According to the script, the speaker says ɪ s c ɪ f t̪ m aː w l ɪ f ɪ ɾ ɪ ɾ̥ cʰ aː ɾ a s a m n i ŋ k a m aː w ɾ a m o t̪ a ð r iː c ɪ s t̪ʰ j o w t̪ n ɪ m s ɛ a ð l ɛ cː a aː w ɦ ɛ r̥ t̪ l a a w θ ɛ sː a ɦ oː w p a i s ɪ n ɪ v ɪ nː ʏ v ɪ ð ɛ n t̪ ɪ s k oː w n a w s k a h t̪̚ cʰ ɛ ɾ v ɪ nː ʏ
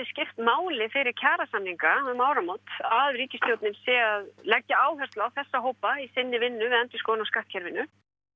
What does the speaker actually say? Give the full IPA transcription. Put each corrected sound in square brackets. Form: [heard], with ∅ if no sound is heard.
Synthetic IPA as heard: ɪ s c ɪ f t̪ m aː w l ɪ f ɪ ɾ ɪ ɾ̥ cʰ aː ɾ a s a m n i ŋ k a m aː w ɾ a m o t̪ a ð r iː c ɪ s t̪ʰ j o w t̪ n ɪ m s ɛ a ð l ɛ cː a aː w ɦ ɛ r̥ t̪ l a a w θ ɛ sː a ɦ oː w p a i s ɪ [nː] ɪ v ɪ nː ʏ v ɪ ð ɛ n t̪ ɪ s k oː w n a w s k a h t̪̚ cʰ ɛ ɾ v ɪ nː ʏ